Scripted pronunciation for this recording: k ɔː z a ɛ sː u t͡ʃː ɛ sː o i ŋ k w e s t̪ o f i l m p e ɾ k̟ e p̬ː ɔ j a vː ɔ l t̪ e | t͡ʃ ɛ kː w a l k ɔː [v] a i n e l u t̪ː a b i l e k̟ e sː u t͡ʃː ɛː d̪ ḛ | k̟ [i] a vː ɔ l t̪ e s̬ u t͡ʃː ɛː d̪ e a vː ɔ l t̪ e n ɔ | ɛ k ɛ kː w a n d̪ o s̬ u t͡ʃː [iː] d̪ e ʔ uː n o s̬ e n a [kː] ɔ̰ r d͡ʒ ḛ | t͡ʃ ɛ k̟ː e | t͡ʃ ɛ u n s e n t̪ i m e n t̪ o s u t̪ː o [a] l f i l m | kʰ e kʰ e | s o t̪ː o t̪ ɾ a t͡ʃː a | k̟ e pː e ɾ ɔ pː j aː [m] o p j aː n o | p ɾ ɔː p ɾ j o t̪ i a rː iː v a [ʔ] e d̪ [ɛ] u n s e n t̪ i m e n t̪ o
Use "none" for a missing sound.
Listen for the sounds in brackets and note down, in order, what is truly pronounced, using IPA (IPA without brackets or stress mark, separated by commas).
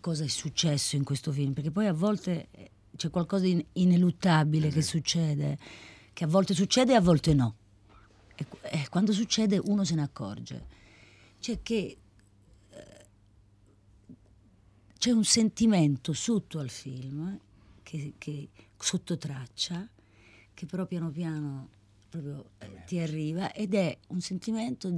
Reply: z, e, ɛː, kː, a, n, ʔ, ɛ